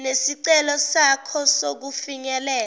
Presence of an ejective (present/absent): absent